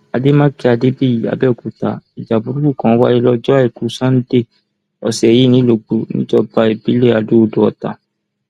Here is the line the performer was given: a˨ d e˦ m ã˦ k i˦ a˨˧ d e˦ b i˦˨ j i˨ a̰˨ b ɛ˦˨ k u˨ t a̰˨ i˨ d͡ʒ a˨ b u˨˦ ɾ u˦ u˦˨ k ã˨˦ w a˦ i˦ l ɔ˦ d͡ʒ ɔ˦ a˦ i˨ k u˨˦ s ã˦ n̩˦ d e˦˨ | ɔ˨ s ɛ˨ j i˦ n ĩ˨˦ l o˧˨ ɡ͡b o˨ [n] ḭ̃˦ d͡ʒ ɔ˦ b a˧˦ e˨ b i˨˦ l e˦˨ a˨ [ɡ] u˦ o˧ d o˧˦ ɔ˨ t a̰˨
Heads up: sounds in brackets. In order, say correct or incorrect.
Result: correct, incorrect: d

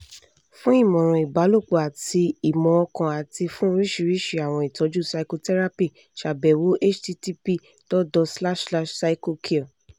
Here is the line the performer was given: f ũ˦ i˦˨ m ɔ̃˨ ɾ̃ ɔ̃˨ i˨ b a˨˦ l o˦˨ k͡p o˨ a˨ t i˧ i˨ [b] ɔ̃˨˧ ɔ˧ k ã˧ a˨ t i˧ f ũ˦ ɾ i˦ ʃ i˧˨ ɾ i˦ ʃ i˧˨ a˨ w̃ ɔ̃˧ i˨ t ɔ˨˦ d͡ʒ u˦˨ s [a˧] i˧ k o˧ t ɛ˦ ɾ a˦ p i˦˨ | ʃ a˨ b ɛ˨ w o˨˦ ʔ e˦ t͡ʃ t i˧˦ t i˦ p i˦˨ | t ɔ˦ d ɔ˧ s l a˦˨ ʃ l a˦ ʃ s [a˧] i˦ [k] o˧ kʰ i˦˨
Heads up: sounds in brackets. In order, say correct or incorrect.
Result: incorrect: m, correct, correct, correct

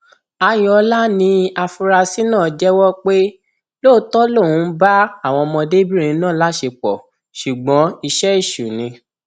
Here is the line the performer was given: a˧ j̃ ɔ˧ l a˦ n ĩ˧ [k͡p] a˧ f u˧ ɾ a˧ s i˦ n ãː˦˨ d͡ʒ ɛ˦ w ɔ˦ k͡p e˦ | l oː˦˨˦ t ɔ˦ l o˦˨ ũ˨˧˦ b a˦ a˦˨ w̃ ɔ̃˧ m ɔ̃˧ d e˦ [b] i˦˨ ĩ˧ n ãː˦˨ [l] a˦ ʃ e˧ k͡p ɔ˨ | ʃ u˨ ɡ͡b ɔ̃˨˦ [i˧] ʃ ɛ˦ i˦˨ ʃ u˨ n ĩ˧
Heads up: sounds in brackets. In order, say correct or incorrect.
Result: incorrect: none, correct, correct, correct

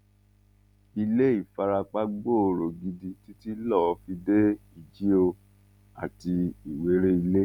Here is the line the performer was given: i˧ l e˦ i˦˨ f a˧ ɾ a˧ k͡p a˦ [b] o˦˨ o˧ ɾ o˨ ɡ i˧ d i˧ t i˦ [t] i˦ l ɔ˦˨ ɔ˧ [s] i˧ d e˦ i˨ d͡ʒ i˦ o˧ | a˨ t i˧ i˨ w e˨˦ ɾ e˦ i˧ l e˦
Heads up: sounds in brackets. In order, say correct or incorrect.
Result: incorrect: ɡ͡b, correct, incorrect: f

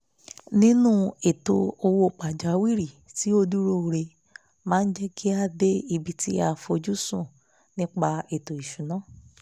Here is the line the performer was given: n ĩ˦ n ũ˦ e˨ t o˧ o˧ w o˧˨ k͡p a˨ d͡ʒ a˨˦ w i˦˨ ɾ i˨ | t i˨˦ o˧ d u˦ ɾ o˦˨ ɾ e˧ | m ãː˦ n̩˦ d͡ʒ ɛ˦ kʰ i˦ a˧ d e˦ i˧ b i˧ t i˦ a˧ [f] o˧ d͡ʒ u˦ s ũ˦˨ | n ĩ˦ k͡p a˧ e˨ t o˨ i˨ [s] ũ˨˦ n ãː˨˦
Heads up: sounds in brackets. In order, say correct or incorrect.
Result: correct, incorrect: ʃ

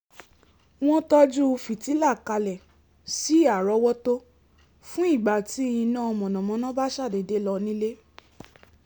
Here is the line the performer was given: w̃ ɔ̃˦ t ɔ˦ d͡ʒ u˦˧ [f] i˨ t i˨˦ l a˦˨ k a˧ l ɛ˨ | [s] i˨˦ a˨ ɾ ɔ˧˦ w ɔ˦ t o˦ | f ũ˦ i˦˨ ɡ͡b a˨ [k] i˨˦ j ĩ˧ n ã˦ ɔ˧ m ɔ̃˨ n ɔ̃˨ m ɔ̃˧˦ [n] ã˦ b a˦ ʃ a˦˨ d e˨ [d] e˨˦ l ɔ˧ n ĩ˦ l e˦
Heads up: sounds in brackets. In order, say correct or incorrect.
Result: correct, correct, incorrect: t, correct, correct

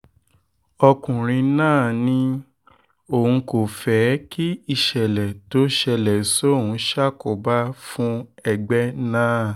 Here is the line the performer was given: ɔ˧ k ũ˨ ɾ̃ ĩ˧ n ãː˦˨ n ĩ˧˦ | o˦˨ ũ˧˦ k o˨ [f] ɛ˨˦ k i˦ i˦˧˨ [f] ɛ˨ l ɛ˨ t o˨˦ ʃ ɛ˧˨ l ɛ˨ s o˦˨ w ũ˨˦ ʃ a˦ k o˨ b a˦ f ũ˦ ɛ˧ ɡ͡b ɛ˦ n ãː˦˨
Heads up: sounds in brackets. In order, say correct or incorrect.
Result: correct, incorrect: ʃ

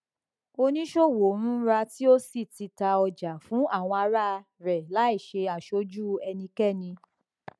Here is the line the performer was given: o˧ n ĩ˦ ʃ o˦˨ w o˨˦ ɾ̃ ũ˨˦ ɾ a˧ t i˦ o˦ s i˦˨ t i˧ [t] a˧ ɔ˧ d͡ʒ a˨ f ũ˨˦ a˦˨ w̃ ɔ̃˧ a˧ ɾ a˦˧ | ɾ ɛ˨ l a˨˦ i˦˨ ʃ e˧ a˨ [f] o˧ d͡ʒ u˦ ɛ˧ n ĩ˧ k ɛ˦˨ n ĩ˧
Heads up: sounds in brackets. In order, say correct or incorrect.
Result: correct, incorrect: ʃ

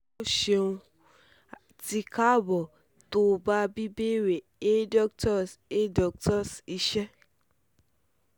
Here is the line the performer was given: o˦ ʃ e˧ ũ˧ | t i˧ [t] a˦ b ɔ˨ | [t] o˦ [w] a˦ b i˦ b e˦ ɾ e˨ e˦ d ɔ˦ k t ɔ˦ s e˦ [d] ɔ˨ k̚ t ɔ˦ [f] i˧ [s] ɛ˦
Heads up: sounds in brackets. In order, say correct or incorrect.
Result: incorrect: k, correct, incorrect: b, correct, incorrect: s, incorrect: ʃ

